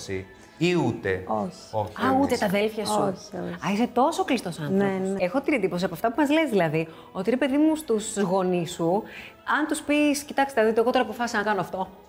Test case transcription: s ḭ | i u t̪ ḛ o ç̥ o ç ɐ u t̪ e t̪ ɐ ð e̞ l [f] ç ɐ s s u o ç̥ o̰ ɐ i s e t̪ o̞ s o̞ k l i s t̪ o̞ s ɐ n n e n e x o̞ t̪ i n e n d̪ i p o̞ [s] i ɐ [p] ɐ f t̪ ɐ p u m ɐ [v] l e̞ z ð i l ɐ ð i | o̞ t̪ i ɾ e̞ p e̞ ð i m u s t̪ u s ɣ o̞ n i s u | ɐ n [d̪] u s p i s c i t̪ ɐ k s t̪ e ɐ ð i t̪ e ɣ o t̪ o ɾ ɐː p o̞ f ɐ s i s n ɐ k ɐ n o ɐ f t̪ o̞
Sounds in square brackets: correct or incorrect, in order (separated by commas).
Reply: correct, correct, correct, incorrect, incorrect